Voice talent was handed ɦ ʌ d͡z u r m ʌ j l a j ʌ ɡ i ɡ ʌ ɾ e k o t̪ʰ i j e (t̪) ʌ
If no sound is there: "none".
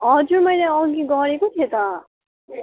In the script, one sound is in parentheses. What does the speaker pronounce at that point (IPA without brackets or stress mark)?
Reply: t̪